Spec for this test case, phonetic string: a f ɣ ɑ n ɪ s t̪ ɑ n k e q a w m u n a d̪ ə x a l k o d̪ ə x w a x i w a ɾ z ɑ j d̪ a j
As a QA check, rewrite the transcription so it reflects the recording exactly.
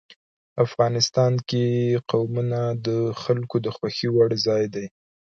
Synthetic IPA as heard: a f ɣ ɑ n ɪ s t̪ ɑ n k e q a w m u n a d̪ ə x a l k o d̪ ə x w a x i w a ɽ z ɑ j d̪ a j